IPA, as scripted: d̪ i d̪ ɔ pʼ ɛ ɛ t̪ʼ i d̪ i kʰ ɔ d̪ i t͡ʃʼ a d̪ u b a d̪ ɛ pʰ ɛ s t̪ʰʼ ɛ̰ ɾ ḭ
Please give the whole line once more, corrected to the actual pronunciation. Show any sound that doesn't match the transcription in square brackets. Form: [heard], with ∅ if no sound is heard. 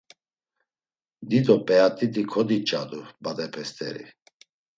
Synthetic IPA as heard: d̪ i d̪ ɔ pʼ ɛ [a] t̪ʼ i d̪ i kʰ ɔ d̪ i t͡ʃʼ a d̪ u b a d̪ ɛ pʰ ɛ s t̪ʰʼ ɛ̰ ɾ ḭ